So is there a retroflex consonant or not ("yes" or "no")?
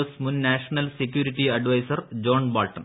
yes